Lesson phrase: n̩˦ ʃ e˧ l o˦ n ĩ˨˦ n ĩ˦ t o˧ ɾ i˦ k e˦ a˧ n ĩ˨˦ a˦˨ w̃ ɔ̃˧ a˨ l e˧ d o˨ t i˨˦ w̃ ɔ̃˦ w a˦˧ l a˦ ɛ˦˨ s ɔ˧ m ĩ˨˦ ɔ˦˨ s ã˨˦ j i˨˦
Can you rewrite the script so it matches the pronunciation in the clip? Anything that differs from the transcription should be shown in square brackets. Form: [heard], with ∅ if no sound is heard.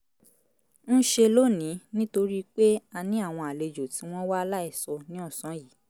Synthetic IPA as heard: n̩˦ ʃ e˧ l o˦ n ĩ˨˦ n ĩ˦ t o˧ ɾ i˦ [k͡p] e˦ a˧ n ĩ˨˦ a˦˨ w̃ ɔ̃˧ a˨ l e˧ [d͡ʒ] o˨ t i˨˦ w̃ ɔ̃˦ w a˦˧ l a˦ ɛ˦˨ s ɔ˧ [n] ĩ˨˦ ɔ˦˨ s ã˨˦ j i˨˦